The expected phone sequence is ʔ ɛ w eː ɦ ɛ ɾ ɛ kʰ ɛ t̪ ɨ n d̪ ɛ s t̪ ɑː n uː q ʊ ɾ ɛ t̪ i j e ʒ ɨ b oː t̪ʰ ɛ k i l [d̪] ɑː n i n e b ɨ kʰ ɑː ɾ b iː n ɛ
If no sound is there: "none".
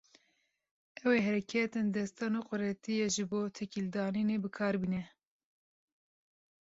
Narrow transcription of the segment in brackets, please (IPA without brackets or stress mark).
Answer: d̪